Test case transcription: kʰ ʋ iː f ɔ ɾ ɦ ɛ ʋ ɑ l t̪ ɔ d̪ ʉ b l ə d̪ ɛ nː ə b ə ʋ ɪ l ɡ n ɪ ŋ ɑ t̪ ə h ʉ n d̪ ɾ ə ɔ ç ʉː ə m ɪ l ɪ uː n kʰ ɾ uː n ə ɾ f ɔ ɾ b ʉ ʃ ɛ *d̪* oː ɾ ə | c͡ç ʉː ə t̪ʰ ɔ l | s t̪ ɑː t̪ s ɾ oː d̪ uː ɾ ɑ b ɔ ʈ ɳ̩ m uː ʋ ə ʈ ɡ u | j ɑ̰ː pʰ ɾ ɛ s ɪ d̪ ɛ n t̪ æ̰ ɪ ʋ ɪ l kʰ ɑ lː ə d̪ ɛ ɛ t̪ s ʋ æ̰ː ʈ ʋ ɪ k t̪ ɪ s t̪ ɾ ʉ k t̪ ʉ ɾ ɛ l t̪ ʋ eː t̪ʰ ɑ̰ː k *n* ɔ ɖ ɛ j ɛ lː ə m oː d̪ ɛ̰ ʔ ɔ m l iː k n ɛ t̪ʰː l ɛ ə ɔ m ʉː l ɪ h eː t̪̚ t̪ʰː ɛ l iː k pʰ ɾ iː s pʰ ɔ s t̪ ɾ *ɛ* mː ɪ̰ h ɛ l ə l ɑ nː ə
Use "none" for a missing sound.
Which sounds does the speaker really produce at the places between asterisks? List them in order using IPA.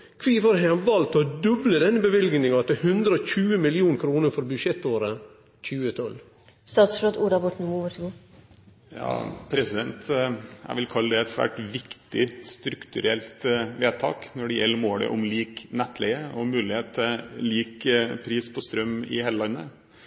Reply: t̪, n, œ

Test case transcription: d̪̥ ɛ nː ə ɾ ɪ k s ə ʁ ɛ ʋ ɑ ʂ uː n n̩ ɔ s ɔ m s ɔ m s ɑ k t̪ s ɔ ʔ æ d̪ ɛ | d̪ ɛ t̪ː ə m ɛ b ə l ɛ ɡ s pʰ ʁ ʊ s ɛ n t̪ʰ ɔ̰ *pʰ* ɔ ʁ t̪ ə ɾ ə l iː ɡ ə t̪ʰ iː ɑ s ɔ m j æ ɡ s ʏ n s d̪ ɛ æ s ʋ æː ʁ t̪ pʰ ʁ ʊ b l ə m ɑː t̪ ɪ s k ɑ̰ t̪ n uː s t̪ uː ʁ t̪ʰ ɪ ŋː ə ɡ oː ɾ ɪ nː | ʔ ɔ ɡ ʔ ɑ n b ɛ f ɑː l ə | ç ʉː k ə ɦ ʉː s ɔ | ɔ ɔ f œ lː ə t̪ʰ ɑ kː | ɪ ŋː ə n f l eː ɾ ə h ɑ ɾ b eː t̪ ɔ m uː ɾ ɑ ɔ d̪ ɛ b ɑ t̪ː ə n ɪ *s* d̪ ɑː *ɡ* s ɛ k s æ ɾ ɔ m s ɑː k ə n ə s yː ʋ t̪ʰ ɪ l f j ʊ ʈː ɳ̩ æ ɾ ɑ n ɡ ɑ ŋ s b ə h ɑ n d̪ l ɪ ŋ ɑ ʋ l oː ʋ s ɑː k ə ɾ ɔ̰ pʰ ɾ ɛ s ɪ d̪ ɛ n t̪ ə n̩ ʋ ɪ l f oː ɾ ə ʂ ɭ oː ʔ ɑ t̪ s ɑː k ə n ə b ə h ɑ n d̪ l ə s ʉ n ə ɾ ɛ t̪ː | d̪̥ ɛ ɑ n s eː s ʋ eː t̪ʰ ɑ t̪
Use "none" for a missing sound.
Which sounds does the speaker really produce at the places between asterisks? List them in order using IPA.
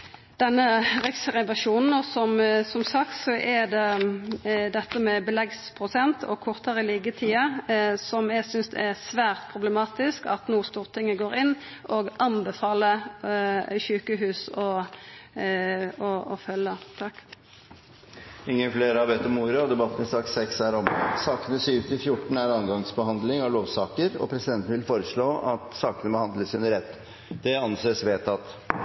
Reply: kʰ, s, k

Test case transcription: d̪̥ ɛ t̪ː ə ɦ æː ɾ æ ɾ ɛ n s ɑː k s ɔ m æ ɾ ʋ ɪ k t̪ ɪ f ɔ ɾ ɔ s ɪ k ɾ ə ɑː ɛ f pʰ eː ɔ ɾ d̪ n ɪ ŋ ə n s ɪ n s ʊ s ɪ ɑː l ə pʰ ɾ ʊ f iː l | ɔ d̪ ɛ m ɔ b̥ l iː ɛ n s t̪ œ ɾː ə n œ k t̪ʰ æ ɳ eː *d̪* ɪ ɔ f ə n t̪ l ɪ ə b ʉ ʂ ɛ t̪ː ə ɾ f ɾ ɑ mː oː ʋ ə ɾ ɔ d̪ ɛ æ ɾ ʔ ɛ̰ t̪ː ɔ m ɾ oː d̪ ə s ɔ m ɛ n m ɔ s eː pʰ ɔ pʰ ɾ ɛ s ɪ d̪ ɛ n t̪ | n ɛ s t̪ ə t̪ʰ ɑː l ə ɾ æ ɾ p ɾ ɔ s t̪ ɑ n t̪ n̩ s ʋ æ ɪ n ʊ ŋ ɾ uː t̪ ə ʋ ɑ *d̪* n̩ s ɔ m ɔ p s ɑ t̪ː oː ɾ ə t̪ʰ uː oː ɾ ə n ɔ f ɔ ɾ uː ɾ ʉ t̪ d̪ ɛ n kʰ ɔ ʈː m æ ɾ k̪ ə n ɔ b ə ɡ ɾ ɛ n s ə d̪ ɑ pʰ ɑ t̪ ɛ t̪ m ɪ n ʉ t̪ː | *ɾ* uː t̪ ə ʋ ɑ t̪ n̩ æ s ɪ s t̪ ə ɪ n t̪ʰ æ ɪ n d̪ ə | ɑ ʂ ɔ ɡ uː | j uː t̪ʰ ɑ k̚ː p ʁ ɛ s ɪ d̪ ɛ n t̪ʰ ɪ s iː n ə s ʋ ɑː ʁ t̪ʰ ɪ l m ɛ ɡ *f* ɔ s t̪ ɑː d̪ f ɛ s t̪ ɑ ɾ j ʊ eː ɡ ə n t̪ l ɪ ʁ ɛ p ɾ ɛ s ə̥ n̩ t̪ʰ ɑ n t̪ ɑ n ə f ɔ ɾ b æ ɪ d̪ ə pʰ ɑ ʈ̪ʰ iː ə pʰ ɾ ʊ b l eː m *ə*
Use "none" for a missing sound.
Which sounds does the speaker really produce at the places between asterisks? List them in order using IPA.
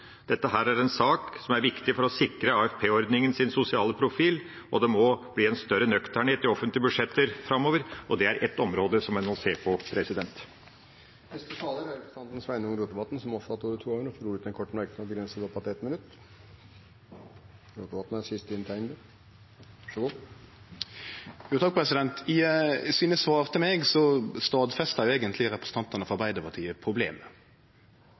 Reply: t̪, t̪, ɾ, s, ə

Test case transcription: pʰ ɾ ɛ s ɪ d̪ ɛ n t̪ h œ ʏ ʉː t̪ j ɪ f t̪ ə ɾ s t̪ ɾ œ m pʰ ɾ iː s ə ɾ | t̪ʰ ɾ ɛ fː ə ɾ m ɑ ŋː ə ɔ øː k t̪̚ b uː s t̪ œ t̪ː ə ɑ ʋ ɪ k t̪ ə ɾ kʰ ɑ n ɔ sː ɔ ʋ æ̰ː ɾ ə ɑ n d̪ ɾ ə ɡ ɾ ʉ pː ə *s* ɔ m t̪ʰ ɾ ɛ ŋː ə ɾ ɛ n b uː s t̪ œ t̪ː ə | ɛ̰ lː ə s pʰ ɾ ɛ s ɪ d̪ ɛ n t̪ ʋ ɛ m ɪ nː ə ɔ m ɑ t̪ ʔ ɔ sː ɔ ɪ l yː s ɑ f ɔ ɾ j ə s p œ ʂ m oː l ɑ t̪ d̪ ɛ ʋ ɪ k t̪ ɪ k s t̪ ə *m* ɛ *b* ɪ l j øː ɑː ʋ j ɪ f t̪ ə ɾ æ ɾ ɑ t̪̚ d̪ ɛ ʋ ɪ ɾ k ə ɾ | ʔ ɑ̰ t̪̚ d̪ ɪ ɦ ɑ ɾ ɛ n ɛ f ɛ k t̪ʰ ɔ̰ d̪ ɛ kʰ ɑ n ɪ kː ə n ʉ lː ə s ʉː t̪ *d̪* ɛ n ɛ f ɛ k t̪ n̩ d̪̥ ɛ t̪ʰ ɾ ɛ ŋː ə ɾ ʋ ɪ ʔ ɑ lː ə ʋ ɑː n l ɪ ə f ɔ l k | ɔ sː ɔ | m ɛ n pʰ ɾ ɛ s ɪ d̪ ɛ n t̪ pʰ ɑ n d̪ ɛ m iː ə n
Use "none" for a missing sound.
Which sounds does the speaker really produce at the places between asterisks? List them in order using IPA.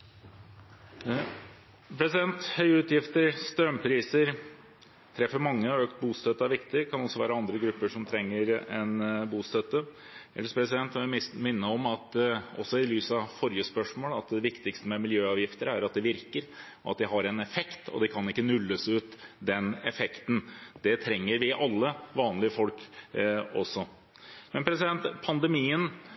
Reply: ʂ, m, m, d̪

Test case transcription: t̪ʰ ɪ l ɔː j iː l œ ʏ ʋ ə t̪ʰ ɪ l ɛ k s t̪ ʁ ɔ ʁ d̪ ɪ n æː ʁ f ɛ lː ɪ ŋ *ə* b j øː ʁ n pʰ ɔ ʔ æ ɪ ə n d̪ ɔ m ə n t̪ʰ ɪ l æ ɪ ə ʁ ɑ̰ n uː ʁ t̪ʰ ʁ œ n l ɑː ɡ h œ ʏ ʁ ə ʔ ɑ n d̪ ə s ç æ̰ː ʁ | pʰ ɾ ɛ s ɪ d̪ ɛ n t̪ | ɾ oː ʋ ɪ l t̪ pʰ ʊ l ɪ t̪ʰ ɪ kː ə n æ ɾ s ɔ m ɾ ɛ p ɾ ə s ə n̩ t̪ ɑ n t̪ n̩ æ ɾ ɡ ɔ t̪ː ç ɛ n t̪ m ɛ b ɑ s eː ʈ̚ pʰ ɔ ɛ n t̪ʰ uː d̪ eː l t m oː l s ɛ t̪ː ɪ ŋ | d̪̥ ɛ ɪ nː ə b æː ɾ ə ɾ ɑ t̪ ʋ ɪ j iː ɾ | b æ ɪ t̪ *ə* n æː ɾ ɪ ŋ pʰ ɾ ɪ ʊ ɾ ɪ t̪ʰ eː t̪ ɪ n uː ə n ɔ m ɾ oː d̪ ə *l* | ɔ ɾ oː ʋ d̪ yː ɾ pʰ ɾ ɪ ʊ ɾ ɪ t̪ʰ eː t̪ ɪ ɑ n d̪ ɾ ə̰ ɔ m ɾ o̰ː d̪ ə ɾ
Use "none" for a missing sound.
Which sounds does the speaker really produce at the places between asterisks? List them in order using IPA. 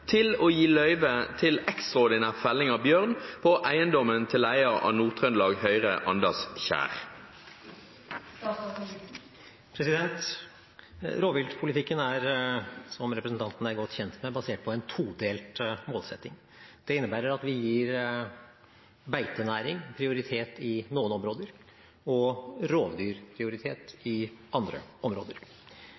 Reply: ɑ, ə, ɾ

